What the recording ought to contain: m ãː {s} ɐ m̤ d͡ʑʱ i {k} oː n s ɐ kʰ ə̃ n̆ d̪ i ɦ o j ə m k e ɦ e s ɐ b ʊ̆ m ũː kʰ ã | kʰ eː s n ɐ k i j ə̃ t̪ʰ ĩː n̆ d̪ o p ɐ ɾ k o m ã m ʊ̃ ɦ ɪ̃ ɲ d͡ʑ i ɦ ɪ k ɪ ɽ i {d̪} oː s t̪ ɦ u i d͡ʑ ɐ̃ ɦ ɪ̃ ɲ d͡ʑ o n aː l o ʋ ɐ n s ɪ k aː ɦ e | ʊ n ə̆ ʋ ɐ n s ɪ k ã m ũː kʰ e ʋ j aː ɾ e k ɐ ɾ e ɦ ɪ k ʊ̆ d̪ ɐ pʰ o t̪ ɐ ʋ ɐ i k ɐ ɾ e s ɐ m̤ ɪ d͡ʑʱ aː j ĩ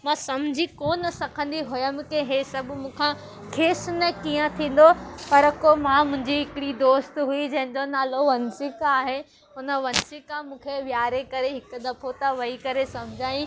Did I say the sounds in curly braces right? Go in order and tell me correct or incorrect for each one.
correct, correct, correct

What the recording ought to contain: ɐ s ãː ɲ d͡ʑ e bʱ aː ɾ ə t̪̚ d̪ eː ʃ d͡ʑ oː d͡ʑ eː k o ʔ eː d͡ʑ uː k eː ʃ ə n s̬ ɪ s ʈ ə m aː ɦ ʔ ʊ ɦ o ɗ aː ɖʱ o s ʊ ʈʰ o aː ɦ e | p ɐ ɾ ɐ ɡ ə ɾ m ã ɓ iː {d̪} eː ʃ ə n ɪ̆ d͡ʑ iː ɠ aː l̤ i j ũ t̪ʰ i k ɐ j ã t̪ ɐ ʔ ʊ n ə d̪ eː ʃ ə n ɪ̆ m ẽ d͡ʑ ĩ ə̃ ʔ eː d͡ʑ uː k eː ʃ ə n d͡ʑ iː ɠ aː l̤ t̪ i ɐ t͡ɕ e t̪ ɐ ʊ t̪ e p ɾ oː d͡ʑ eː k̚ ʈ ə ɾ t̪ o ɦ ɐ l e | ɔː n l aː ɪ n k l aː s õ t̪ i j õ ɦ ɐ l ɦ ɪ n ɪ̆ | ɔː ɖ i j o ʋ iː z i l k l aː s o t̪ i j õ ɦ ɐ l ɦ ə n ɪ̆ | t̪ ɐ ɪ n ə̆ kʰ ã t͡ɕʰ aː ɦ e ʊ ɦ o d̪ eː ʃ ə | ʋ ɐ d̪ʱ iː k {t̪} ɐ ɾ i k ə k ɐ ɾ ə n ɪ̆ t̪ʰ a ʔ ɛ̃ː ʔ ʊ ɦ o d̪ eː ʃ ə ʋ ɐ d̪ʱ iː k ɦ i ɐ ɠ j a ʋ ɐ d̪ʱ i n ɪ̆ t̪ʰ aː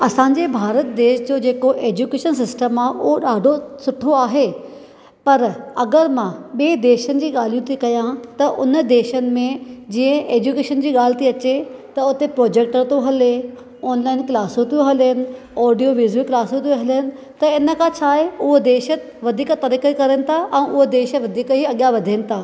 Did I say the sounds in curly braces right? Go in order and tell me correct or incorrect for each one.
correct, correct

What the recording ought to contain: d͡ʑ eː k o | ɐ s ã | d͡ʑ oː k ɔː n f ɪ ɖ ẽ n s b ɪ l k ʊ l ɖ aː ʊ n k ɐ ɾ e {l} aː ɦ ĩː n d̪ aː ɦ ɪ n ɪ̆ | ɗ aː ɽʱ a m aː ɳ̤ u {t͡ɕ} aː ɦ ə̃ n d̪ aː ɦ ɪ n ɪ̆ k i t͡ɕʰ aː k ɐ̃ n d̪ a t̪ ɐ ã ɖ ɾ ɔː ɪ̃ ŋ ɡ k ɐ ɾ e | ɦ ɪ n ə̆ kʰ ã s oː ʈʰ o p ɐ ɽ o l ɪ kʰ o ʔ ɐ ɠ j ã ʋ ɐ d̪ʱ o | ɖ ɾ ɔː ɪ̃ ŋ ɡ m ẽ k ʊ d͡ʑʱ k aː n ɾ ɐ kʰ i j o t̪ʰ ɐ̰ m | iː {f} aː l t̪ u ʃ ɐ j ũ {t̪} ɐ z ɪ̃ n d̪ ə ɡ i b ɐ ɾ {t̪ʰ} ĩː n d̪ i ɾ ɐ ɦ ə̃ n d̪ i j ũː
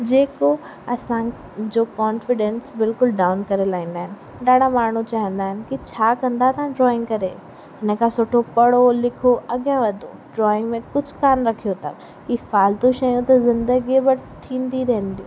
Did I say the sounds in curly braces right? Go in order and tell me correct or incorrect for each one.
correct, correct, correct, correct, correct

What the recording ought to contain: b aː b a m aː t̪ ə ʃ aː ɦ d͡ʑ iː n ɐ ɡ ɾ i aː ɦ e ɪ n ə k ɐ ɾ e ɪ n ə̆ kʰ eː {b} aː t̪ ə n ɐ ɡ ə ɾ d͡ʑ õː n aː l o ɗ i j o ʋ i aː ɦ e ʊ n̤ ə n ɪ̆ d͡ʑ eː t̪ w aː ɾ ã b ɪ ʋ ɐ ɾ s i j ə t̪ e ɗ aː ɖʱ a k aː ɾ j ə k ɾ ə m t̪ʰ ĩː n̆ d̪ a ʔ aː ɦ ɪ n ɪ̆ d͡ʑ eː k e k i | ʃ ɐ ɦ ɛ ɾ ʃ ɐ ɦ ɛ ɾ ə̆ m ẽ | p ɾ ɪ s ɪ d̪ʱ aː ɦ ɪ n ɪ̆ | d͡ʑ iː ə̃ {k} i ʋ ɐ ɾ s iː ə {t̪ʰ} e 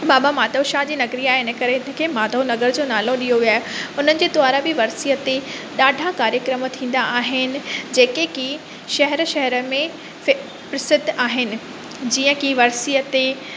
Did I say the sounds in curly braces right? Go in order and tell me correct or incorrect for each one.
incorrect, correct, incorrect

